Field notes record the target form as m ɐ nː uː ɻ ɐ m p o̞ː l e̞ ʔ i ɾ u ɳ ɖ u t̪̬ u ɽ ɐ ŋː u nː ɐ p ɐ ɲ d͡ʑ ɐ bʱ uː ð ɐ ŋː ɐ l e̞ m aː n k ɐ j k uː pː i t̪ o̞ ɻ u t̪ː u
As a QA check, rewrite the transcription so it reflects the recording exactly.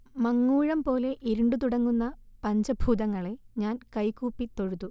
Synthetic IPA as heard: m ɐ ŋː uː ɻ ɐ m p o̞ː l e̞ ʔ i ɾ u ɳ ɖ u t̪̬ u ɽ ɐ ŋː u nː ɐ p ɐ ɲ d͡ʑ ɐ bʱ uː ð ɐ ŋː ɐ ɭ e̞ ɲ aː n k ɐ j k uː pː i t̪ o̞ ɻ u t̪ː u

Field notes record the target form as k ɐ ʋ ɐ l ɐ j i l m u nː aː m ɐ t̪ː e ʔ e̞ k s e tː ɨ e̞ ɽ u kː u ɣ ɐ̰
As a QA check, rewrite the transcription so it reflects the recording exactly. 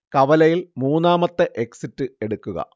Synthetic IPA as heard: k ɐ ʋ ɐ l ɐ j i l m uː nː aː m ɐ t̪ː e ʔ e̞ k s i tː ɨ e̞ ɽ u kː u ɣ ɐ̰

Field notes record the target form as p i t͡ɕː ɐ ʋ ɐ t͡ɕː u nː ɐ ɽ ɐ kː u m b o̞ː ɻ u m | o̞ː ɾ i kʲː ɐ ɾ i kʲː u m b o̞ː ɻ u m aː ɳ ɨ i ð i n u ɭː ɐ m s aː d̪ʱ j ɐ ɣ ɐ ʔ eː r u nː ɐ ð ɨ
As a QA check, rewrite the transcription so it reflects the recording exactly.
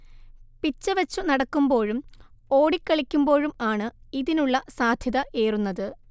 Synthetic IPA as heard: p i t͡ɕː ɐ ʋ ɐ t͡ɕː u n ɐ ɽ ɐ kː u m b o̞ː ɻ u m | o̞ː ɽ i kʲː ɐ ɭ i kʲː u m b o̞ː ɻ u m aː ɳ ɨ i ð i n u ɭː ɐ s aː d̪ʱ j ɐ ð ɐ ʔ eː r u nː ɐ ð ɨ

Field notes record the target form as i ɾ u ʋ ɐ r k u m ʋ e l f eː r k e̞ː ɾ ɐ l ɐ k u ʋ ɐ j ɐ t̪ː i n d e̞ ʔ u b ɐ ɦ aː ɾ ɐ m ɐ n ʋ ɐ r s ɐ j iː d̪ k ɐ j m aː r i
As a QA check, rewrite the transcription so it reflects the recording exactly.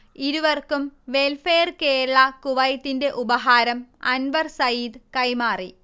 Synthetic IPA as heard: i ɾ u ʋ ɐ r k u m ʋ e l f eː r k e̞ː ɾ ɐ ɭ ɐ k u ʋ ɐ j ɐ t̪ː i n d e̞ ʔ u b ɐ ɦ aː ɾ ɐ m ɐ n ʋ ɐ r s ɐ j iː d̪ k ɐ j m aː r i

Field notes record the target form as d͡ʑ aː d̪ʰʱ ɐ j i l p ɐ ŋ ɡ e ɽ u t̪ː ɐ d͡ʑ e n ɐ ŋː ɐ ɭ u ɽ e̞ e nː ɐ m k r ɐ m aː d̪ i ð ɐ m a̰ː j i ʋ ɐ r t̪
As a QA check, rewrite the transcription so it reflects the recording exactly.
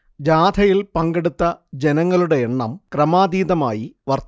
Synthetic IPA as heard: d͡ʑ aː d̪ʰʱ ɐ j i l p ɐ ŋ ɡ e ɽ u t̪ː ɐ d͡ʑ e n ɐ ŋː ɐ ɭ u ɽ e̞ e ɳː ɐ m k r ɐ m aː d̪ iː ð ɐ m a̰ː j i ʋ ɐ r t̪

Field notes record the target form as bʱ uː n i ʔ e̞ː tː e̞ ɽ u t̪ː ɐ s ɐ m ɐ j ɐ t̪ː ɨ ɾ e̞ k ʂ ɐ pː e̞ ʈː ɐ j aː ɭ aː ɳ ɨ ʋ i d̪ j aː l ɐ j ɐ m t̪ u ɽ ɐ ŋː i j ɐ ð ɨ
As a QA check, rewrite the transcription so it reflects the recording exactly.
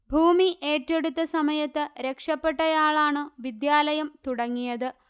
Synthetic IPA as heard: bʱ uː m i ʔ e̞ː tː e̞ ɽ u t̪ː ɐ s ɐ m ɐ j ɐ t̪ː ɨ ɾ e̞ k ʂ ɐ pː e̞ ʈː ɐ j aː ɭ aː ɳ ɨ ʋ i d̪ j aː l ɐ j ɐ m t̪ u ɽ ɐ ŋː i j ɐ ð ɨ

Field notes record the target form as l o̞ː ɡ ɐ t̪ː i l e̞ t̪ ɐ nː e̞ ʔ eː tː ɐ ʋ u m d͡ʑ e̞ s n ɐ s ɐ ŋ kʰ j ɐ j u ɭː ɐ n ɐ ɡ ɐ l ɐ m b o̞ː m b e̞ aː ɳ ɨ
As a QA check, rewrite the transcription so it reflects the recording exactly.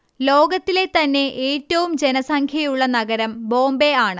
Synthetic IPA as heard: l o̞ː ɡ ɐ t̪ː i l e̞ t̪ ɐ nː e̞ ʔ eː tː ɐ ʋ u m d͡ʑ e̞ n ɐ s ɐ ŋ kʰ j ɐ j u ɭː ɐ n ɐ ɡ ɐ ɾ ɐ m b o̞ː m b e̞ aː ɳ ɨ

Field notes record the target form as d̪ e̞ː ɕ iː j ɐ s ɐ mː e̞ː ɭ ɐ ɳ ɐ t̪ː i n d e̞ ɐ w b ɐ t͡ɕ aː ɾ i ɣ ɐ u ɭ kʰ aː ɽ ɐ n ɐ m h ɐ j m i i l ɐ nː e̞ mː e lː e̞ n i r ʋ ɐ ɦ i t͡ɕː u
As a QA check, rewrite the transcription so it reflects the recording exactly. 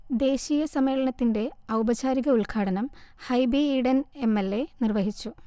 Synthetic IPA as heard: d̪ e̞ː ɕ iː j ɐ s ɐ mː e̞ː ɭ ɐ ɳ ɐ t̪ː i n d e̞ ɐ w b ɐ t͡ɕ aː ɾ i ɣ ɐ u ɭ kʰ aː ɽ ɐ n ɐ m h ɐ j b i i ɽ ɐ n e̞ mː e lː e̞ n i r ʋ ɐ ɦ i t͡ɕː u

